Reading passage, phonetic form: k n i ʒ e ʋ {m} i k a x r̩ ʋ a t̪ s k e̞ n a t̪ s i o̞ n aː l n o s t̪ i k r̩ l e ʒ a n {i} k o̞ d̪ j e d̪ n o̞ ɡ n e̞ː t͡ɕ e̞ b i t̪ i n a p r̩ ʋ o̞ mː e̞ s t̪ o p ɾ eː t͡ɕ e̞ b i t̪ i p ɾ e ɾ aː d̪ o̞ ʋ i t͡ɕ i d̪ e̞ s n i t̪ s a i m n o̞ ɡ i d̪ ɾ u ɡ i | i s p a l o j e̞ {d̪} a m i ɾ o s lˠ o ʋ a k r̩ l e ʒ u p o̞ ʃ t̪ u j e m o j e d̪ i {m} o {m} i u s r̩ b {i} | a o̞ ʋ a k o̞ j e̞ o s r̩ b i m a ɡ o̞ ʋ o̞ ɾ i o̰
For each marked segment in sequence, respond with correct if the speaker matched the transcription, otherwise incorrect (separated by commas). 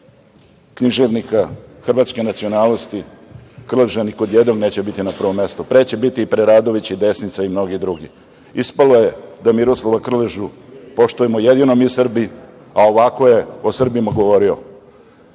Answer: incorrect, correct, correct, incorrect, correct, correct